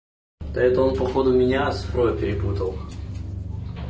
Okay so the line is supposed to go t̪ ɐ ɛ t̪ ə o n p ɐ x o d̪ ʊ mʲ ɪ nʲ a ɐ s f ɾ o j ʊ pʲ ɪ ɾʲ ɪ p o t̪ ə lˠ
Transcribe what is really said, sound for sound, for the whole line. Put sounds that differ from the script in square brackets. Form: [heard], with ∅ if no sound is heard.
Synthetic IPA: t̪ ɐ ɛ t̪ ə o n p ɐ x o d̪ ʊ mʲ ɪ nʲ a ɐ s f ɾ o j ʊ pʲ ɪ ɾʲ ɪ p [u] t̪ ə lˠ

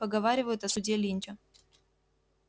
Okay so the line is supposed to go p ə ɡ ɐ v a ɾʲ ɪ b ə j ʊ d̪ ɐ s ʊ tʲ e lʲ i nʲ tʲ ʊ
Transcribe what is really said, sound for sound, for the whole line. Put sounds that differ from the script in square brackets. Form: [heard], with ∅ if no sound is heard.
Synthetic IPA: p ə ɡ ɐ v a ɾʲ ɪ [v] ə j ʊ [t̪] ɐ s ʊ [dʲ] e lʲ i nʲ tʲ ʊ

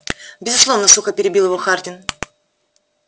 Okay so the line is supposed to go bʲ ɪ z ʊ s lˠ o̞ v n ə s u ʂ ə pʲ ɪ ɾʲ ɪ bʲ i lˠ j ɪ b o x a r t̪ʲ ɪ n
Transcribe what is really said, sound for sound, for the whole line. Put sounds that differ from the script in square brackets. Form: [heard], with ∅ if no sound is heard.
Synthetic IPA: bʲ ɪ z ʊ s lˠ o̞ v n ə s u [x] ə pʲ ɪ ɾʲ ɪ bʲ i lˠ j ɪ [v] o x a r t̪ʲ ɪ n

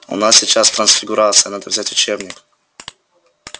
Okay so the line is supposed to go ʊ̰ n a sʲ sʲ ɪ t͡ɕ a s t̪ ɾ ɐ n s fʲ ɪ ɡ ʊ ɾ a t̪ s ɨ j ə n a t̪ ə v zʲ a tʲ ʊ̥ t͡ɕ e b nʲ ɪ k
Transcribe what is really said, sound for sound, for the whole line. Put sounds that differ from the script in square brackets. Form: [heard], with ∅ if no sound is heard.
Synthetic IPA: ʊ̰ n a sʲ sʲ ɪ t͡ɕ a s t̪ ɾ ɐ n s fʲ ɪ ɡ ʊ ɾ a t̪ s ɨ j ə n a [d̪] ə v zʲ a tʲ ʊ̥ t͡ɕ e b nʲ ɪ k

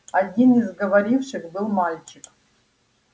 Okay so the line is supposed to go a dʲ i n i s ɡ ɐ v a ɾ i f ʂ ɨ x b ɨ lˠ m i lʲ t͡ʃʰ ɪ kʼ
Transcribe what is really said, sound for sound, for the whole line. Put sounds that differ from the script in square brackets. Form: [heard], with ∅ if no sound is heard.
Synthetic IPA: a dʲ i n i [z] ɡ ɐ v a ɾ i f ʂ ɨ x b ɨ lˠ m [a] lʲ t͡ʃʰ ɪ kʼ

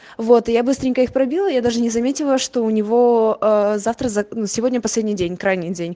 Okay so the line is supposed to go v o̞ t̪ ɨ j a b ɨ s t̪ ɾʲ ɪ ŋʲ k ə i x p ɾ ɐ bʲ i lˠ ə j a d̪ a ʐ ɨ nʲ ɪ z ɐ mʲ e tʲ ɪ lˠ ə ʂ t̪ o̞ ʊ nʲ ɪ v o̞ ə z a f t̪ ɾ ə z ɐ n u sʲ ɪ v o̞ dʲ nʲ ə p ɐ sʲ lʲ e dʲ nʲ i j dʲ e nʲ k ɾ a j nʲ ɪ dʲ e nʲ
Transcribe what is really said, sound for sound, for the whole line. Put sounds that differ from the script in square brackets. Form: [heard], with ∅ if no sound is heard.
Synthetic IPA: v o̞ t̪ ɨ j a b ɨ s t̪ ɾʲ ɪ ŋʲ k ə i x p ɾ ɐ bʲ i lˠ ə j a d̪ a ʐ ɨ nʲ ɪ z ɐ mʲ e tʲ ɪ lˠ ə ʂ t̪ o̞ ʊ nʲ ɪ v o̞ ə z a f t̪ ɾ ə z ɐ n u sʲ ɪ v o̞ dʲ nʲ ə p ɐ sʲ lʲ e dʲ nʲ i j dʲ e nʲ k ɾ a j nʲ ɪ dʲ e nʲ

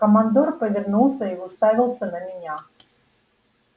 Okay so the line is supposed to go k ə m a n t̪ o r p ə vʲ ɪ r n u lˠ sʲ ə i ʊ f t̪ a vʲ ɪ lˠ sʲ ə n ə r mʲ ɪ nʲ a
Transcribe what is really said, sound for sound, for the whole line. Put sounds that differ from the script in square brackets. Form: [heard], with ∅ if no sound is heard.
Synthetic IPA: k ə m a n [d̪] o r p ə vʲ ɪ r n u lˠ sʲ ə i ʊ [s] t̪ a vʲ ɪ lˠ sʲ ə n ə [∅] mʲ ɪ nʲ a

